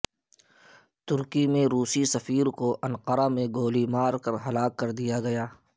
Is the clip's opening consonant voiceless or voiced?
voiceless